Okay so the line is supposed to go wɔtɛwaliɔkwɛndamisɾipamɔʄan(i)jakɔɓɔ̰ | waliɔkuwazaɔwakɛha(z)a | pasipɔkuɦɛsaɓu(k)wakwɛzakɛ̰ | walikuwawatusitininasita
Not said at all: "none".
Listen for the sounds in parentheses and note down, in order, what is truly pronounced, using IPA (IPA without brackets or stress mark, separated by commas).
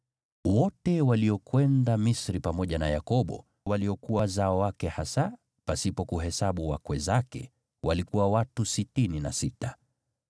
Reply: a, s, none